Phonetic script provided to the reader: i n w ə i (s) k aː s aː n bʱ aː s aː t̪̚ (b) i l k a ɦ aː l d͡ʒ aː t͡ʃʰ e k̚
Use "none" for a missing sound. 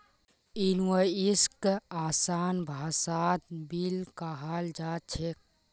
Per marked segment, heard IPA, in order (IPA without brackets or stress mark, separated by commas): s, b